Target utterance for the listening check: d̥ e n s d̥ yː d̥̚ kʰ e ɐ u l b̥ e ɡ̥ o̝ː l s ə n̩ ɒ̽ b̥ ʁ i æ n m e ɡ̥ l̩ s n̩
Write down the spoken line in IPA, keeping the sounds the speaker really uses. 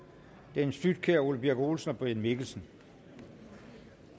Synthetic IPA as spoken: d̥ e n s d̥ y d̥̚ kʰ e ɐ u l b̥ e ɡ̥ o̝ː l s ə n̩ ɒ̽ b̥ ʁ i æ n m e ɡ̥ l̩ s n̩